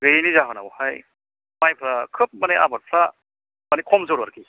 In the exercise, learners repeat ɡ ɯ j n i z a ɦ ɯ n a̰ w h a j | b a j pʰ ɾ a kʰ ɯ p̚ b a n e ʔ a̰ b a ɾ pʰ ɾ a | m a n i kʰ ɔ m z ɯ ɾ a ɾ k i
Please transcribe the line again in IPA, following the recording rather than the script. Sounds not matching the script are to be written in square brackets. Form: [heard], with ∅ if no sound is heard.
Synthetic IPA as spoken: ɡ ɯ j n i z a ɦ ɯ n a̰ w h a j | [m] a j pʰ ɾ a kʰ ɯ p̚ [m] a n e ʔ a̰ b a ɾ pʰ ɾ a | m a n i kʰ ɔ m z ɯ ɾ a ɾ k i